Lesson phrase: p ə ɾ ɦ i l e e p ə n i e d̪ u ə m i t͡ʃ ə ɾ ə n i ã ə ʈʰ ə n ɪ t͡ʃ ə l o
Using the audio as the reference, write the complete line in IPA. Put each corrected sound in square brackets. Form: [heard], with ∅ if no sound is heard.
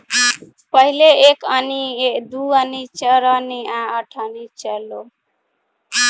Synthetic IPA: p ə [∅] ɦ i l e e [k] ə n i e d̪ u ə [n] i t͡ʃ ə ɾ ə n i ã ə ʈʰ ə n [i] t͡ʃ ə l o